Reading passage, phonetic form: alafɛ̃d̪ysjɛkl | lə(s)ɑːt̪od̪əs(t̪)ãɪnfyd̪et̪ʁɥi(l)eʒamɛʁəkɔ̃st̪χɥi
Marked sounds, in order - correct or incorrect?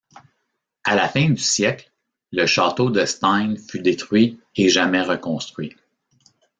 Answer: incorrect: ʃ, correct, incorrect: none

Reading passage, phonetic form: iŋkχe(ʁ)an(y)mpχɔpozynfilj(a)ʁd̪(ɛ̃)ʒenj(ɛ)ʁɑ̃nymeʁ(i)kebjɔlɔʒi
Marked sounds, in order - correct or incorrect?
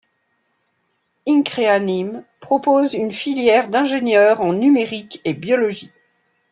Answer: incorrect: none, incorrect: i, incorrect: ɛ, correct, incorrect: œ, correct

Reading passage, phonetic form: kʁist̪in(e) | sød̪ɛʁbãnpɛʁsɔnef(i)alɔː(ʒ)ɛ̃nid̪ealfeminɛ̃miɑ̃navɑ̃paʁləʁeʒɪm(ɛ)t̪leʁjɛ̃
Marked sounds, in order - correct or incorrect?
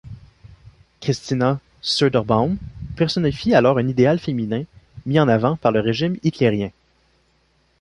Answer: incorrect: a, correct, incorrect: ʁ, incorrect: i

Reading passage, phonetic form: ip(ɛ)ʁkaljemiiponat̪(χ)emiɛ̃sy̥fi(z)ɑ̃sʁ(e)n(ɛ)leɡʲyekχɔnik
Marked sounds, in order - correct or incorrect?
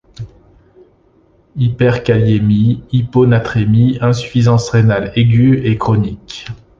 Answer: correct, correct, correct, correct, incorrect: a

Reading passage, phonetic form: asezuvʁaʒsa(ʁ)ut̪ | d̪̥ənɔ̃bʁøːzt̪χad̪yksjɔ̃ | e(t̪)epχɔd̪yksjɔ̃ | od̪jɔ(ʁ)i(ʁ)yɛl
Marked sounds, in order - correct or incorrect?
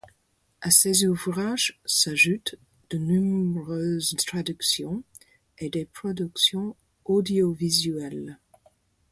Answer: incorrect: ʒ, incorrect: d̪, incorrect: v, incorrect: z

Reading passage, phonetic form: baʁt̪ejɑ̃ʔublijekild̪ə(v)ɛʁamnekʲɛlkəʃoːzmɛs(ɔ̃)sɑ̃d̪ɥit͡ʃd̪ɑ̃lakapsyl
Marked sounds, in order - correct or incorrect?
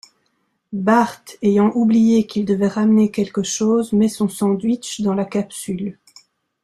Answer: correct, correct

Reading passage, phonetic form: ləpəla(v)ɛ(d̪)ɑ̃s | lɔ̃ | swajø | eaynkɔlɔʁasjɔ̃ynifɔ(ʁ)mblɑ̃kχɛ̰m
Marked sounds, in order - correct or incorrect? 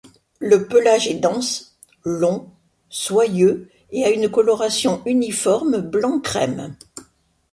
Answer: incorrect: ʒ, correct, correct

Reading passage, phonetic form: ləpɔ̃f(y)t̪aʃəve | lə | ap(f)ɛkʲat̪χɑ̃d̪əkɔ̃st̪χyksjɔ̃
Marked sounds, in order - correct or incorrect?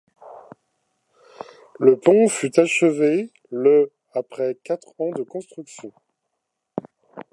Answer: correct, incorrect: χ

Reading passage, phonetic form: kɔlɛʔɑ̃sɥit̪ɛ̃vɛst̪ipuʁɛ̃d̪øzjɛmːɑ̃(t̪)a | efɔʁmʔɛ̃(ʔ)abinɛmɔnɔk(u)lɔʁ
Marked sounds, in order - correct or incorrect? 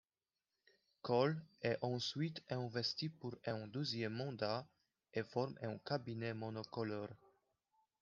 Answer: incorrect: d̪, incorrect: k, incorrect: ɔ

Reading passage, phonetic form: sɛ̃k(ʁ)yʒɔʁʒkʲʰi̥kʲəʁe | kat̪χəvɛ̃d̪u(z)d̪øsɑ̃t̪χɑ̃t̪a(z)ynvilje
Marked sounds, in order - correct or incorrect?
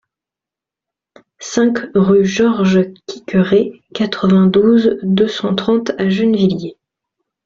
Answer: correct, correct, incorrect: ʒ

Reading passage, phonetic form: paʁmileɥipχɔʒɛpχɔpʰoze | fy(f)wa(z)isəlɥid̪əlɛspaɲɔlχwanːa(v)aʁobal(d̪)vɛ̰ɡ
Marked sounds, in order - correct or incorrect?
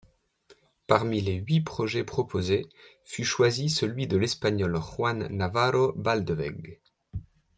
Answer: incorrect: ʃ, correct, correct, correct

